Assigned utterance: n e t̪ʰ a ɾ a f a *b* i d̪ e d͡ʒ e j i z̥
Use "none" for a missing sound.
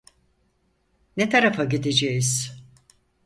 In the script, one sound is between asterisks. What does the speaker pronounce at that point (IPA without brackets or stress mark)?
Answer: ɟ